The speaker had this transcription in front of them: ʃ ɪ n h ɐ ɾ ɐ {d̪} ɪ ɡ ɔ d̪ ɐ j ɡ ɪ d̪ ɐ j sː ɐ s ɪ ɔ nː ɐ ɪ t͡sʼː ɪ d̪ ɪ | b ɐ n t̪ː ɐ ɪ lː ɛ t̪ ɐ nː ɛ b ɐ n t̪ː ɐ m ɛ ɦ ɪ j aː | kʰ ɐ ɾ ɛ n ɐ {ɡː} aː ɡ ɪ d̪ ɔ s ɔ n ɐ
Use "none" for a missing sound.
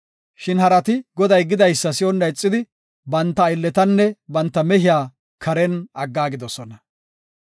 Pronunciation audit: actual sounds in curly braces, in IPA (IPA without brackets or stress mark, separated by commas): t̪, ɡː